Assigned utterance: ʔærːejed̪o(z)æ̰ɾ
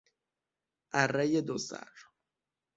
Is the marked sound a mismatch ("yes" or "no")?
yes